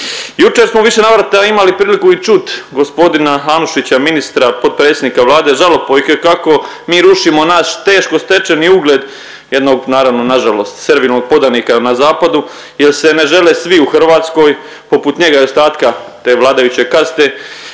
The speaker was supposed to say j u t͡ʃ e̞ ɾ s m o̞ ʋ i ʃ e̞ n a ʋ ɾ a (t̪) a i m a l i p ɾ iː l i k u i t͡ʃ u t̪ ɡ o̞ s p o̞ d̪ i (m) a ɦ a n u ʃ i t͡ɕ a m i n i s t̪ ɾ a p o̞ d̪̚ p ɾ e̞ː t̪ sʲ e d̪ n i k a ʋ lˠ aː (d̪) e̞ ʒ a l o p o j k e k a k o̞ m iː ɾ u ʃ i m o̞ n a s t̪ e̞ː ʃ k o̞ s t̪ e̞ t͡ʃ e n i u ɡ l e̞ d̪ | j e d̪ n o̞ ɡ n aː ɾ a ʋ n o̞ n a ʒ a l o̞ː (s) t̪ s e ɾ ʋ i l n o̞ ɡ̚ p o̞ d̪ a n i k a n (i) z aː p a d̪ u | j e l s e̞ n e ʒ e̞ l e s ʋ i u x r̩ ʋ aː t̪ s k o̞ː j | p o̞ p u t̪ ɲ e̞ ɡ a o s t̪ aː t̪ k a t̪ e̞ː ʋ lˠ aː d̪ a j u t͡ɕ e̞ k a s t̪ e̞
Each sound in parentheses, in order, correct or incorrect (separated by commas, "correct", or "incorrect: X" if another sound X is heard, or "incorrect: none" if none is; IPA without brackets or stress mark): correct, incorrect: n, correct, correct, incorrect: a